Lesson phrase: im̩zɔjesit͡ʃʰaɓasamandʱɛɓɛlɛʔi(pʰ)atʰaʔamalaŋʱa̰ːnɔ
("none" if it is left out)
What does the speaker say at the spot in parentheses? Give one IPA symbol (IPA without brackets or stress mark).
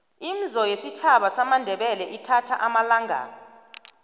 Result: tʰ